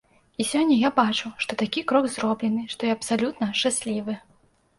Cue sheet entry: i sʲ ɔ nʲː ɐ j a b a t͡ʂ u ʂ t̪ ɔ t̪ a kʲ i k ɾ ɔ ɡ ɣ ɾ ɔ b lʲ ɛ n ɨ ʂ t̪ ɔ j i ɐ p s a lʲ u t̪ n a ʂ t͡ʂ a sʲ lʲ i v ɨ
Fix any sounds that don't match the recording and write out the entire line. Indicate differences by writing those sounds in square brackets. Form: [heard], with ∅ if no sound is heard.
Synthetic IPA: i sʲ ɔ nʲː ɐ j a b a t͡ʂ u ʂ t̪ ɔ t̪ a kʲ i k ɾ ɔ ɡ [z] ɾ ɔ b lʲ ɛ n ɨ ʂ t̪ ɔ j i ɐ p s a lʲ u t̪ n [ɐ] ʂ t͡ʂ a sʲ lʲ i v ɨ